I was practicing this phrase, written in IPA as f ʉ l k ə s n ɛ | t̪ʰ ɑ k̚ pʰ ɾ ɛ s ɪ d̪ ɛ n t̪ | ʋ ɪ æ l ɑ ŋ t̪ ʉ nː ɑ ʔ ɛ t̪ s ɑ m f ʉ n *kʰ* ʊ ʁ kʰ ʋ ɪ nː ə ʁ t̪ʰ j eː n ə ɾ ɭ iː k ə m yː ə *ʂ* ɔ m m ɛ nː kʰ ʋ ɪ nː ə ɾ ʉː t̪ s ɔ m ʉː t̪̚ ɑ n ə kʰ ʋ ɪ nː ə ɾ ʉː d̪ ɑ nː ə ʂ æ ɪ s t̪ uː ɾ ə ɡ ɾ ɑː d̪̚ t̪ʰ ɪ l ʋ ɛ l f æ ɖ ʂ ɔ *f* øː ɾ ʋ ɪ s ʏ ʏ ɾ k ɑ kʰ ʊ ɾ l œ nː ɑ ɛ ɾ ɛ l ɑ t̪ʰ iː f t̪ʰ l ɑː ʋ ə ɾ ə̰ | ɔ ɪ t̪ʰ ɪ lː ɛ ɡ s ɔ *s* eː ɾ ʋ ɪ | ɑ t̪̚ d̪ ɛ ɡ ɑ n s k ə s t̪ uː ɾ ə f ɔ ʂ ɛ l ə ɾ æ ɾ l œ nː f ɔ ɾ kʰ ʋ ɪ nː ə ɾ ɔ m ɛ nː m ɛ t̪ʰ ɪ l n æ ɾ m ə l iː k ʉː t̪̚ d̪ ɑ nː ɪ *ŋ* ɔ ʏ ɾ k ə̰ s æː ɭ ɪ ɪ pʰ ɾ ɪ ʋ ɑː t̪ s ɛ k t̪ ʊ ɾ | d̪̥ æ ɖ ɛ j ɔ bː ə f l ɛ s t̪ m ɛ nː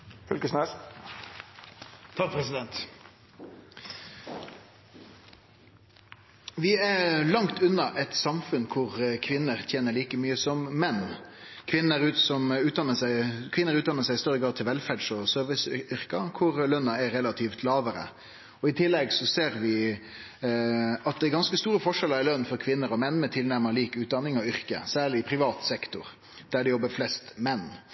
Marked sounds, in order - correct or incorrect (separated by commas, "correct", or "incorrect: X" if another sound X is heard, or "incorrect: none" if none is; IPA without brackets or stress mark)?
correct, incorrect: s, incorrect: s, correct, correct